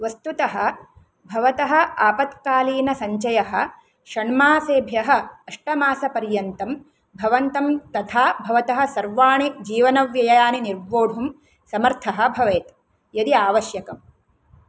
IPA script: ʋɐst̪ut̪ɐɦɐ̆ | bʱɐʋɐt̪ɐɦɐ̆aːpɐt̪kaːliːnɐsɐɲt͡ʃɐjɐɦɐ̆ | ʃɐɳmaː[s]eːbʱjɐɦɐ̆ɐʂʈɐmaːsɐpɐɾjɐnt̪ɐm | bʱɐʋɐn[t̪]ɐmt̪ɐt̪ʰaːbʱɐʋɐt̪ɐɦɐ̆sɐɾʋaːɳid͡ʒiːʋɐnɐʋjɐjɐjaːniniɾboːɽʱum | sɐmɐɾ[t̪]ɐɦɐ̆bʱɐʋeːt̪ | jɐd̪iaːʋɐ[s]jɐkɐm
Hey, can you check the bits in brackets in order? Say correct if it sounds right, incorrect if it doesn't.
correct, correct, incorrect, incorrect

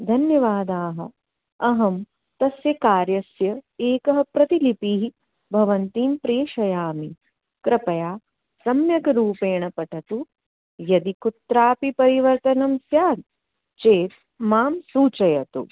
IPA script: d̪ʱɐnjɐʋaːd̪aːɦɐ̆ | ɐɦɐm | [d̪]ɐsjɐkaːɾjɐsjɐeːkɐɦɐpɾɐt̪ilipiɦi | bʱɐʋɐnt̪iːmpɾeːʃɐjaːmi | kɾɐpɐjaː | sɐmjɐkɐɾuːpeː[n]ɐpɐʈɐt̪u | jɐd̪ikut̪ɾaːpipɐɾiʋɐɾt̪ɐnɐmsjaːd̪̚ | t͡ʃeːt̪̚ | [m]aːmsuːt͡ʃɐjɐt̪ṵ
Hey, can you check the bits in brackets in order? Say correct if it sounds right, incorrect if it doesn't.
incorrect, incorrect, correct

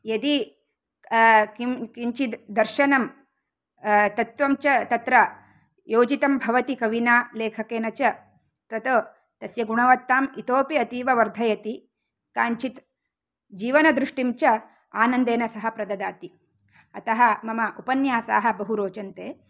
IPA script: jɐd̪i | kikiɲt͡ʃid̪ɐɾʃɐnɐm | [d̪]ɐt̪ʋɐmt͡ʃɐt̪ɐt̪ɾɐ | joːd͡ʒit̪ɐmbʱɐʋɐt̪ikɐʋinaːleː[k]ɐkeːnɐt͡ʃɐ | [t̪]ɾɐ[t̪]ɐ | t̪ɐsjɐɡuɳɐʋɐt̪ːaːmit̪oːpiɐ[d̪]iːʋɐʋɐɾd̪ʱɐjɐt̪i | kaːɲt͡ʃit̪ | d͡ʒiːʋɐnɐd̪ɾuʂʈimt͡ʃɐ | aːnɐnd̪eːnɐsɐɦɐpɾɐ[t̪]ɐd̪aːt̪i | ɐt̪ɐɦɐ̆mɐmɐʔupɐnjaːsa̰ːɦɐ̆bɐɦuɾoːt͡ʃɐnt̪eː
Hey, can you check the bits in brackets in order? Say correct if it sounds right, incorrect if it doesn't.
incorrect, incorrect, correct, correct, incorrect, incorrect

